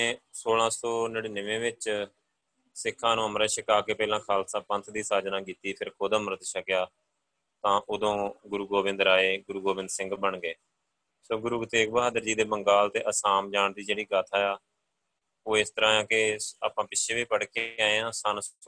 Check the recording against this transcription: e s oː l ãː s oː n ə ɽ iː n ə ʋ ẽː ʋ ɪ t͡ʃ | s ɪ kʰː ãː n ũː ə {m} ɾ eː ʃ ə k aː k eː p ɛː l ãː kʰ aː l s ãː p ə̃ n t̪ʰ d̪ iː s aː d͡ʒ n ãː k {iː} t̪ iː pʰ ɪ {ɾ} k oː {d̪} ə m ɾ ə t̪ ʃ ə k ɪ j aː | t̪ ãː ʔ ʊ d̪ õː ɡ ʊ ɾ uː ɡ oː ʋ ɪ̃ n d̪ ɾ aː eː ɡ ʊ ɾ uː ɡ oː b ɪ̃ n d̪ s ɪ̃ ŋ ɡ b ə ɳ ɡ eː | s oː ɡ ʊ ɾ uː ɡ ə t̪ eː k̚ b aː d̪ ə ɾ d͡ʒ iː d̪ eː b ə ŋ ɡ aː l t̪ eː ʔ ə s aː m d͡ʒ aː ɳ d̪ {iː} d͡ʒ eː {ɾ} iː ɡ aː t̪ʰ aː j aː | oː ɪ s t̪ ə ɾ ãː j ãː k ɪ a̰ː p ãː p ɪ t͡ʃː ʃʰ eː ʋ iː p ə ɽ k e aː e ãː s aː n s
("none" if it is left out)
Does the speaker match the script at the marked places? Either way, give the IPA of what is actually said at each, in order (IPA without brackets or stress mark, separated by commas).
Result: m, iː, ɾ, d̪, iː, ɽ